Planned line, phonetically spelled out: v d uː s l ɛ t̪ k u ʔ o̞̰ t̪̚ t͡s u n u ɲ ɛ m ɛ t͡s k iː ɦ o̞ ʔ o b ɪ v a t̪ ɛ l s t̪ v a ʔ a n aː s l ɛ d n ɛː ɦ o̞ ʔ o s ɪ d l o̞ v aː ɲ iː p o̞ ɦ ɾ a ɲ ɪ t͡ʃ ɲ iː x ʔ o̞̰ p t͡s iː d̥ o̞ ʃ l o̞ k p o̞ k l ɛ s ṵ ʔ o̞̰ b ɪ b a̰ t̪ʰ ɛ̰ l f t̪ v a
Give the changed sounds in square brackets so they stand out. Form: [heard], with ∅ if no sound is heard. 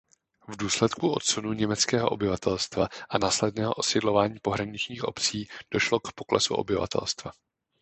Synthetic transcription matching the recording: v d uː s l ɛ t̪ k u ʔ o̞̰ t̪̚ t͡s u n u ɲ ɛ m ɛ t͡s k [ɛː] ɦ o̞ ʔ o b ɪ v a t̪ ɛ l s t̪ v a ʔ a n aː s l ɛ d n ɛː ɦ o̞ ʔ o s ɪ d l o̞ v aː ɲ iː p o̞ ɦ ɾ a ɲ ɪ t͡ʃ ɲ iː x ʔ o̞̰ p t͡s iː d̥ o̞ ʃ l o̞ k p o̞ k l ɛ s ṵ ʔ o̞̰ b ɪ [v] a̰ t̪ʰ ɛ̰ l [s] t̪ v a